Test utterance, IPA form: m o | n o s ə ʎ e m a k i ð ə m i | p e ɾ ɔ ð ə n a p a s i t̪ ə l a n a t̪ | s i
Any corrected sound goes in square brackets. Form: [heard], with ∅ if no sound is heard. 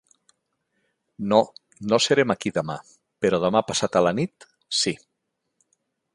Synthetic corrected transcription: [n] o | n o s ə [ɾ] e m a k i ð ə m [a] | p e ɾ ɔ ð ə [m] a p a s [a] t̪ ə l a n [i] t̪ | s i